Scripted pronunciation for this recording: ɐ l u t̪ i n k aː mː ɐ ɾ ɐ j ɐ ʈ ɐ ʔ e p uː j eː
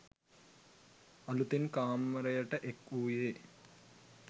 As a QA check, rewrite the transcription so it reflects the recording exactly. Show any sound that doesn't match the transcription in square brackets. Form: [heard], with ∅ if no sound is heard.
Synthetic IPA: ɐ l u t̪ i n k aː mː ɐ ɾ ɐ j ɐ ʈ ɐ ʔ e [k] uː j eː